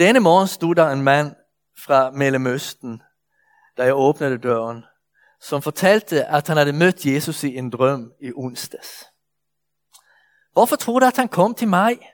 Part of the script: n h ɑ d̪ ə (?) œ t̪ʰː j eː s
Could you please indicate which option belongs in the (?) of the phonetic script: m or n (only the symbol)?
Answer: m